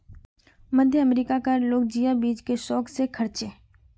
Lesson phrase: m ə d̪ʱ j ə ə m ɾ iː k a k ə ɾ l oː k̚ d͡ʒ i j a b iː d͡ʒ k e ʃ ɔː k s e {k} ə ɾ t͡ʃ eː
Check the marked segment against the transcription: incorrect: kʰ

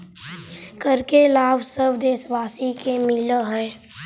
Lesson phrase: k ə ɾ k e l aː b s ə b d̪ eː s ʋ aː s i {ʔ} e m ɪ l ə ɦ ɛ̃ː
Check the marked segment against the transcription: incorrect: k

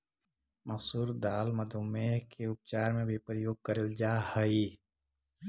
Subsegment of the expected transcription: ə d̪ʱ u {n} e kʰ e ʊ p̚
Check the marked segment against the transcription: incorrect: m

